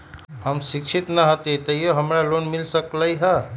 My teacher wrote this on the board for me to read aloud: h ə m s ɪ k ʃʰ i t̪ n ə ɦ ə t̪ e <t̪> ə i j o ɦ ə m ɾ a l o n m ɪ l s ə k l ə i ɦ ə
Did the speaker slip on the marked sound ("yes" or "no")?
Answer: no